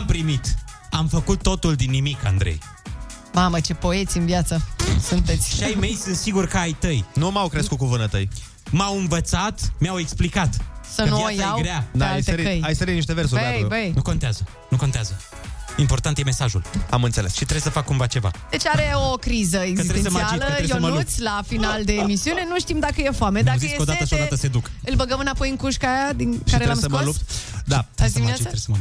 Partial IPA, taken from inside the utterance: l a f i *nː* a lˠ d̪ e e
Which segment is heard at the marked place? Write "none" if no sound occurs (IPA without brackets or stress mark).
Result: n